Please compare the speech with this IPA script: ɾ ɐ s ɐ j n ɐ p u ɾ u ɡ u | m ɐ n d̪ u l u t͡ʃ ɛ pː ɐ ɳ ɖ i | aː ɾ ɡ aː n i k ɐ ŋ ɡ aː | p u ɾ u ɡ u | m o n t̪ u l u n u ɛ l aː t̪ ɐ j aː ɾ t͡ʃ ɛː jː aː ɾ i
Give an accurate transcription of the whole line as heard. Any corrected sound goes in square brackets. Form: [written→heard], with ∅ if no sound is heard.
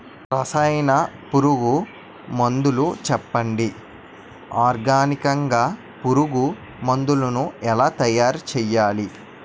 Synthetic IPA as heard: ɾ ɐ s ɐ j n ɐ p u ɾ u ɡ u | m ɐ n d̪ u l u t͡ʃ ɛ pː ɐ ɳ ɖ i | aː ɾ ɡ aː n i k ɐ ŋ ɡ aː | p u ɾ u ɡ u | m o n [t̪→d̪] u l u n u ɛ l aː t̪ ɐ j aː ɾ t͡ʃ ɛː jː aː [ɾ→l] i